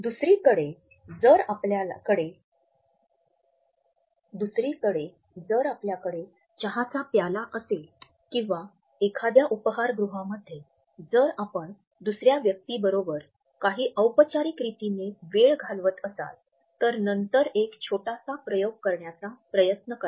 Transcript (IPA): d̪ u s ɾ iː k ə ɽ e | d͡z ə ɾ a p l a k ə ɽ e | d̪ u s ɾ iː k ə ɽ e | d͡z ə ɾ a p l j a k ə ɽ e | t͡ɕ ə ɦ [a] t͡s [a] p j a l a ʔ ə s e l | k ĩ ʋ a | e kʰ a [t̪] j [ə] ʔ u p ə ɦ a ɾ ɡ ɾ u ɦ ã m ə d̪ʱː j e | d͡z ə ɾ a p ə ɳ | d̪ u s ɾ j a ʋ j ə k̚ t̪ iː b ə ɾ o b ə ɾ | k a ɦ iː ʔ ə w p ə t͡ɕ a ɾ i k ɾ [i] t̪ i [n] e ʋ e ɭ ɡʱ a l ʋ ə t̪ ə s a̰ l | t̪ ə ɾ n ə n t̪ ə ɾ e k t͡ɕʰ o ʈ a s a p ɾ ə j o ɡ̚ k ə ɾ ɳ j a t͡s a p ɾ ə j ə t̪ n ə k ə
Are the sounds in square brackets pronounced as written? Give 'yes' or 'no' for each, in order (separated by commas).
yes, yes, no, no, yes, yes